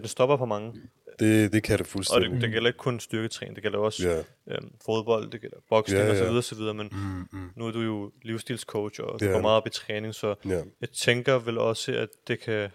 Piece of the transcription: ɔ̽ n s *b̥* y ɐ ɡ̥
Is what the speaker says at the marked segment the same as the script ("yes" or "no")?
no